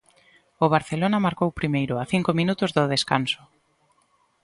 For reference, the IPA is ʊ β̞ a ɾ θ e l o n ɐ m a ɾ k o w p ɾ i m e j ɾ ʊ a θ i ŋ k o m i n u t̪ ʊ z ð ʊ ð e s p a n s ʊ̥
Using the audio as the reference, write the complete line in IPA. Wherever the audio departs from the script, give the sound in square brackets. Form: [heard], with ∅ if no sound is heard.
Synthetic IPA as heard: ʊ β̞ a ɾ θ e l o n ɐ m a ɾ k o w p ɾ i m e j ɾ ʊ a θ i ŋ k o m i n u t̪ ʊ z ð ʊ ð e s [k] a n s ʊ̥